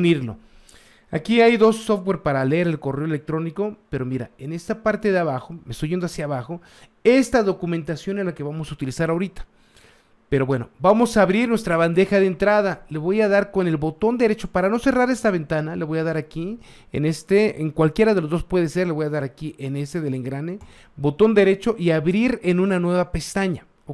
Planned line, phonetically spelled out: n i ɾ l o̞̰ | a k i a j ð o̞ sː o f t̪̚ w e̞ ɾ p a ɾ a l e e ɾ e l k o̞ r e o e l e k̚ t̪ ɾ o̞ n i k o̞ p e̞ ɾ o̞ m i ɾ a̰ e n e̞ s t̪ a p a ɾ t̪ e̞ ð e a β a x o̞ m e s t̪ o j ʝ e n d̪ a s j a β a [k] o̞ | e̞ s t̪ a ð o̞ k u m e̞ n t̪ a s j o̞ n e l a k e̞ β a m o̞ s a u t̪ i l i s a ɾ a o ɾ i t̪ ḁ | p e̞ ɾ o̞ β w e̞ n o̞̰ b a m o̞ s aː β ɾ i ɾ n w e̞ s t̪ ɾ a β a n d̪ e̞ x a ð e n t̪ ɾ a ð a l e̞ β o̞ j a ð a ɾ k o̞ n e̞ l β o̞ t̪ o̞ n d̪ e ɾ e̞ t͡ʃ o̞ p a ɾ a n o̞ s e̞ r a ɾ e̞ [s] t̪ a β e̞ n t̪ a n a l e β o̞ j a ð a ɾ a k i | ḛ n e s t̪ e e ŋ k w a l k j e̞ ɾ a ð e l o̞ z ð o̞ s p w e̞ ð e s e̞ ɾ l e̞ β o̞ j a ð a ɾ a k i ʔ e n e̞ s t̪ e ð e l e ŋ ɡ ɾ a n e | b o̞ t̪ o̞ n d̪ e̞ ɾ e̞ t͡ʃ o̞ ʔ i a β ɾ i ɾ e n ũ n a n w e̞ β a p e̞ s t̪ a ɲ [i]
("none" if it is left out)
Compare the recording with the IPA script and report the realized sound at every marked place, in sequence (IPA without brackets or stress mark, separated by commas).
x, s, a